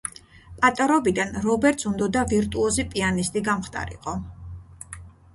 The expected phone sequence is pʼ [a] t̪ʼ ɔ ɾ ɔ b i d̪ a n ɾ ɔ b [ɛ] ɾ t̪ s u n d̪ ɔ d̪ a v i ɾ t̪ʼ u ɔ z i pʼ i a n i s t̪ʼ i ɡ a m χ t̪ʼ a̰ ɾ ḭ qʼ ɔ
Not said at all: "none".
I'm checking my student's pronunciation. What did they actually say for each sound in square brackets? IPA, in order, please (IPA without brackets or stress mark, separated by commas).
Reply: a, ɛ